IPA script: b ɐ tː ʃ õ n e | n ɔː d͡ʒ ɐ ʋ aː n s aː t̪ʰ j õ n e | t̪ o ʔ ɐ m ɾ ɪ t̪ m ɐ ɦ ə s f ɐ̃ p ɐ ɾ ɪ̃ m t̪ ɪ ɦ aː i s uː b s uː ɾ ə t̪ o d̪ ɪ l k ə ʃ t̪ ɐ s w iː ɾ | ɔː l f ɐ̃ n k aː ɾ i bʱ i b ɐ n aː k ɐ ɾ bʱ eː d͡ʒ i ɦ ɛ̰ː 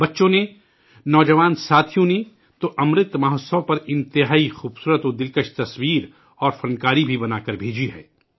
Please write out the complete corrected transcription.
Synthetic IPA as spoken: b ɐ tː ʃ õ n e | n ɔː d͡ʒ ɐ ʋ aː n s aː t̪ʰ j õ n e | t̪ o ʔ ɐ m ɾ ɪ t̪ m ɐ ɦ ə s s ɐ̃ p ɐ ɾ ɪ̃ n t̪ ɪ ɦ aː i x uː b s uː ɾ ə t̪ o d̪ ɪ l k ə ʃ t̪ ɐ s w iː ɾ | ɔː ɾ f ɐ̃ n k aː ɾ i bʱ i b ɐ n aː k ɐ ɾ bʱ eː d͡ʒ i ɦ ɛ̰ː